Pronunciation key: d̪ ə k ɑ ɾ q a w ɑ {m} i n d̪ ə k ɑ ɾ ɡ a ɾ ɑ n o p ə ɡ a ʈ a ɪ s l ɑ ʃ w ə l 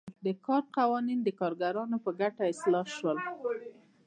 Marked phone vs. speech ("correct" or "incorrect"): incorrect